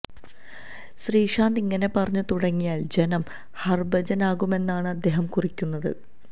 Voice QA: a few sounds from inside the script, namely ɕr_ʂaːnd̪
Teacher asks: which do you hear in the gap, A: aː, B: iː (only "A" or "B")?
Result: B